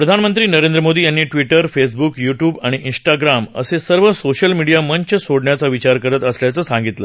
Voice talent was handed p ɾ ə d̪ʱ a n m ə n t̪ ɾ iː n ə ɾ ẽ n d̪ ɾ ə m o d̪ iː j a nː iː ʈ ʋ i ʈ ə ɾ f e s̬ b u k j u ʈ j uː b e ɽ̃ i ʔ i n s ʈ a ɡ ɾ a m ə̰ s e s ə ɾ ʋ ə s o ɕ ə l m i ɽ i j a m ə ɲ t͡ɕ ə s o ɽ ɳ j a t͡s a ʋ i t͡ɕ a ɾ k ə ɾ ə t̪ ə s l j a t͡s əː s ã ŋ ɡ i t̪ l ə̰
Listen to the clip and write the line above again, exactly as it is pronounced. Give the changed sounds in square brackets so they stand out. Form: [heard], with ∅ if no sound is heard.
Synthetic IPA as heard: p ɾ ə d̪ʱ a n m ə n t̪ ɾ iː n ə ɾ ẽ n d̪ ɾ ə m o d̪ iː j a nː iː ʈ ʋ i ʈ ə ɾ f e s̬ b u k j u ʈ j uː b [a] ɽ̃ i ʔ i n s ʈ a ɡ ɾ a m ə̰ s e s ə ɾ ʋ ə s o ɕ ə l m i ɽ i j a m ə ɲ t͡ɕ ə s o ɽ ɳ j a t͡s a ʋ i t͡ɕ a ɾ k ə ɾ ə t̪ ə s l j a t͡s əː s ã ŋ ɡ i t̪ l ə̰

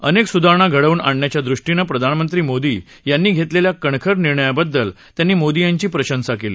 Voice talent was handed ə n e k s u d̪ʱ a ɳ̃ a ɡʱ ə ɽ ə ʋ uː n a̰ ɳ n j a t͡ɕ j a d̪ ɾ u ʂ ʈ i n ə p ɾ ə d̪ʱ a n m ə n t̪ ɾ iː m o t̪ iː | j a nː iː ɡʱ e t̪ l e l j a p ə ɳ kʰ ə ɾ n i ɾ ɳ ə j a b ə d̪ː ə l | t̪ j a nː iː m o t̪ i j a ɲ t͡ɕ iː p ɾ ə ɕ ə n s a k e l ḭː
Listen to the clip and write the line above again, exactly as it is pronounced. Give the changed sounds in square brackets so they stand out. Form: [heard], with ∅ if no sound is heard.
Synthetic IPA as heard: ə n e k s u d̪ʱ a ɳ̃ a ɡʱ ə ɽ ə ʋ uː n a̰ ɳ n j a t͡ɕ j a d̪ ɾ u ʂ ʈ i n ə p ɾ ə d̪ʱ a n m ə n t̪ ɾ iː m o [d̪] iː | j a nː iː ɡʱ e t̪ l e l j a [k] ə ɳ kʰ ə ɾ n i ɾ ɳ ə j a b ə d̪ː ə l | t̪ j a nː iː m o [d̪] i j a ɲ t͡ɕ iː p ɾ ə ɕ ə n s a k e l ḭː

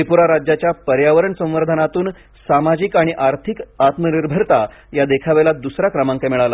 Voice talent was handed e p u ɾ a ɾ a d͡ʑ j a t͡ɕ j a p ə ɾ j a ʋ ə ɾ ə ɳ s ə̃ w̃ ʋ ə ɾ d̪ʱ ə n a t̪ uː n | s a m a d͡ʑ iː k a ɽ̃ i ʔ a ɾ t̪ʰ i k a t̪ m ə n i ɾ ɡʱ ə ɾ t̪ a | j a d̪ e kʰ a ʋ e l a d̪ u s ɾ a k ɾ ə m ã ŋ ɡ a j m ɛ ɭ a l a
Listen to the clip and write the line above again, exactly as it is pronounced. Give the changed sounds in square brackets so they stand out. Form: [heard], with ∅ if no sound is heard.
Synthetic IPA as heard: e p u ɾ a ɾ a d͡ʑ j a t͡ɕ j a p ə ɾ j a ʋ ə ɾ ə ɳ s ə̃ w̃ ʋ ə ɾ d̪ʱ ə n a t̪ uː n | s a m a d͡ʑ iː k a ɽ̃ i ʔ a ɾ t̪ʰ i k a t̪ m ə n i ɾ [bʱ] ə ɾ t̪ a | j a d̪ e kʰ a ʋ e l a d̪ u s ɾ a k ɾ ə m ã ŋ [k] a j m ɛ ɭ a l a

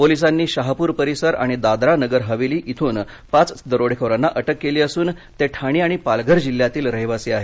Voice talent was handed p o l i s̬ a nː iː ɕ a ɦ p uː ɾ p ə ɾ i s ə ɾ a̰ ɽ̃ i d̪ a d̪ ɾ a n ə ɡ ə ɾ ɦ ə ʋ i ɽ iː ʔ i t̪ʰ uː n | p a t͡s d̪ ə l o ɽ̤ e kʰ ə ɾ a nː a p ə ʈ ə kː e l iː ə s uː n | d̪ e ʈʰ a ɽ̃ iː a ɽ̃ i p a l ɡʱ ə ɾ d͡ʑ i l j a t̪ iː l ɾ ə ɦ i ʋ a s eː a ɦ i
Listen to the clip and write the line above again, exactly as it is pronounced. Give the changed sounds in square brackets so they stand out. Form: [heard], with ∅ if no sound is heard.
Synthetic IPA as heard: p o l i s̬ a nː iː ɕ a ɦ p uː ɾ p ə ɾ i s ə ɾ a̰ ɽ̃ i d̪ a d̪ ɾ a n ə ɡ ə ɾ ɦ ə ʋ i [l] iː ʔ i t̪ʰ uː n | p a t͡s d̪ ə [ɾ] o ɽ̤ e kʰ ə ɾ a nː a [ʔ] ə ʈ ə kː e l iː ə s uː n | [t̪] e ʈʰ a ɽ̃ iː a ɽ̃ i p a l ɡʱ ə ɾ d͡ʑ i l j a t̪ iː l ɾ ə ɦ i ʋ a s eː a ɦ [e]

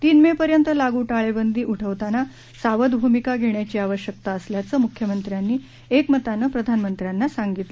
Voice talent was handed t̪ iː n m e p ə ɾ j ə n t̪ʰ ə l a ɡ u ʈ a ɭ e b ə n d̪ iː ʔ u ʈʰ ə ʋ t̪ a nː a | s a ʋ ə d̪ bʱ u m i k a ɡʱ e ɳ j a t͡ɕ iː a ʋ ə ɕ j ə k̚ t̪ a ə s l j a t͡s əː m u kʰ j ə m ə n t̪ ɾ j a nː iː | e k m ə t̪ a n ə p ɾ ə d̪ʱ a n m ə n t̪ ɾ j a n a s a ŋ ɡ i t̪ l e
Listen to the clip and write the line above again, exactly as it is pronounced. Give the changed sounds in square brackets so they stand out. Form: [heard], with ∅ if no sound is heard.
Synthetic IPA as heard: t̪ iː n m e p ə ɾ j ə n [t̪] ə l a ɡ u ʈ a ɭ e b ə n d̪ iː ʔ u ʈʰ ə ʋ t̪ a [n] a | s a ʋ ə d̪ bʱ u m i k a ɡʱ e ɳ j a t͡ɕ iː a ʋ ə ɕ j ə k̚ t̪ a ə s l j a t͡s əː m u kʰ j ə m ə n t̪ ɾ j a nː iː | e k m ə t̪ a n ə p ɾ ə d̪ʱ a n m ə n t̪ ɾ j a [nː] a s a ŋ ɡ i t̪ l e

